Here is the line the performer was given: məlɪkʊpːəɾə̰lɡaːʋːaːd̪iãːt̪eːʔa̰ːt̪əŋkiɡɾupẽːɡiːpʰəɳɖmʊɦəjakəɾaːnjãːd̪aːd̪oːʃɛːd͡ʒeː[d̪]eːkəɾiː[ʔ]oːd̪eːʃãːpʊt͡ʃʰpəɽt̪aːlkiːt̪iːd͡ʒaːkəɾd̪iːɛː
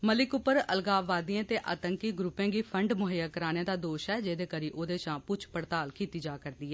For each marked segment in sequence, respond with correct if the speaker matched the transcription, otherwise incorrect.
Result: correct, correct

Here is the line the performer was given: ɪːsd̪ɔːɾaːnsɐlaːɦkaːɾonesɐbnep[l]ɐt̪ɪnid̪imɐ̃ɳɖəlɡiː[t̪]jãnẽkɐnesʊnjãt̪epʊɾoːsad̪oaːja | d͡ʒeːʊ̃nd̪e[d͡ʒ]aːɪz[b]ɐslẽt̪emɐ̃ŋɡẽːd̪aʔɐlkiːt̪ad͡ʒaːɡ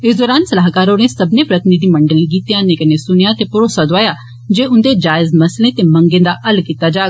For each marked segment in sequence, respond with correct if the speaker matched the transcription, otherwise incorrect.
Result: incorrect: ɾ, correct, correct, incorrect: m

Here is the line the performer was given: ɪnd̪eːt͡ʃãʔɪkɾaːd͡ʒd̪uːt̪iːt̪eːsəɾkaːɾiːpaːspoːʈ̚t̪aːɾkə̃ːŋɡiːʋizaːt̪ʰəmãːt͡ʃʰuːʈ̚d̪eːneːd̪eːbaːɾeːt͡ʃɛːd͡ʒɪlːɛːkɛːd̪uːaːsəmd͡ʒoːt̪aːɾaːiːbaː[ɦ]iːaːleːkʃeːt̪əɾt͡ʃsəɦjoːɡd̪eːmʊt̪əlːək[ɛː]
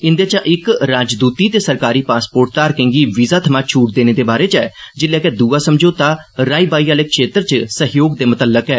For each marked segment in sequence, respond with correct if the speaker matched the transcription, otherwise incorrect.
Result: incorrect: none, correct

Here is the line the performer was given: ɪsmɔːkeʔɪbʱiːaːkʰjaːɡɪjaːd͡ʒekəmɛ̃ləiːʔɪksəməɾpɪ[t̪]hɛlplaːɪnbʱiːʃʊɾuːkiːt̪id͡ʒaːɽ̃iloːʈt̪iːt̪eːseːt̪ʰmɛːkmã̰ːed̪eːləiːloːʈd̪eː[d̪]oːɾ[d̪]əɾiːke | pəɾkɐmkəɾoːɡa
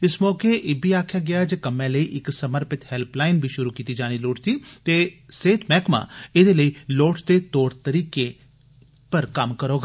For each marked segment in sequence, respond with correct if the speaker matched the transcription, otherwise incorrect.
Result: correct, incorrect: t̪, incorrect: t̪

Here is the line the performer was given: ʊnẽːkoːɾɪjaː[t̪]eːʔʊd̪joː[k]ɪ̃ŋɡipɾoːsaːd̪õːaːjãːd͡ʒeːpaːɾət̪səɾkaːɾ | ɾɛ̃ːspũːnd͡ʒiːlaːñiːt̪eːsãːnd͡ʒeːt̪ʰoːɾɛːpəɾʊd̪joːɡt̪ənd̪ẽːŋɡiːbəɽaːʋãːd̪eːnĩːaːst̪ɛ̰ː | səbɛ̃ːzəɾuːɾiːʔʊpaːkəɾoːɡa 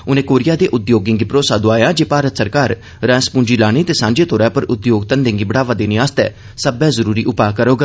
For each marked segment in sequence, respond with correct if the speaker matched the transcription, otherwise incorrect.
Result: incorrect: d̪, incorrect: ɡ

